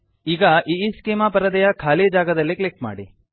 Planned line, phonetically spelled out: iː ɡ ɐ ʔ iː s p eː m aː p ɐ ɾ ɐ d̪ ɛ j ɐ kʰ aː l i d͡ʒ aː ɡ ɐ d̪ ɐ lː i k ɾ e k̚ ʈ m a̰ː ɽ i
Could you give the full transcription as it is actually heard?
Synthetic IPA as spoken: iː ɡ ɐ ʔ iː s k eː m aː p ɐ ɾ ɐ d̪ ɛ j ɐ kʰ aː l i d͡ʒ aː ɡ ɐ d̪ ɐ lː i k l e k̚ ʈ m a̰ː ɽ i